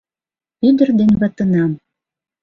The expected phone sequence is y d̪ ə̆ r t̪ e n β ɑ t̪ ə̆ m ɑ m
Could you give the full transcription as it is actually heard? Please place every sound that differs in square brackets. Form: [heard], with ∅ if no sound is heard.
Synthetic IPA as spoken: y d̪ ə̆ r [d̪] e n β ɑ t̪ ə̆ [n] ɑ m